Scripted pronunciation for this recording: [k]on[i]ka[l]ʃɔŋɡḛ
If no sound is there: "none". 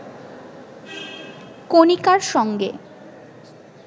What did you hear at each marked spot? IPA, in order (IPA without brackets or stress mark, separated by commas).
k, i, ɾ